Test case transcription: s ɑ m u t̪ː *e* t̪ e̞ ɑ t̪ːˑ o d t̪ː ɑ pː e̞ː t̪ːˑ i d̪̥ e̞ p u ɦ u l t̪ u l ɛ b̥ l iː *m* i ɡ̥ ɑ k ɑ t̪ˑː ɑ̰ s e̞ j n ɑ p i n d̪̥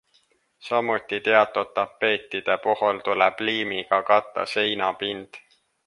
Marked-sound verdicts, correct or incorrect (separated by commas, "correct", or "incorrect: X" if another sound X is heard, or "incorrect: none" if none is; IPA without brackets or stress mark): incorrect: i, correct